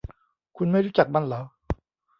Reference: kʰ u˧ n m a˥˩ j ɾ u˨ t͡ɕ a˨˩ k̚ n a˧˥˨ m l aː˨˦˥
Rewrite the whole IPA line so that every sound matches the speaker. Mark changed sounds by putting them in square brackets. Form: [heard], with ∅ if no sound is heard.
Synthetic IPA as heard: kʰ u˧ n m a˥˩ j ɾ [u˦˥] t͡ɕ a˨˩ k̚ [m] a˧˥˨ [n] l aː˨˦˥